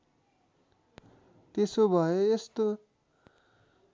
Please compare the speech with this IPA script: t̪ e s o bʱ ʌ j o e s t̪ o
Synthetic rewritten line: t̪ e s o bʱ ʌ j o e s t̪ o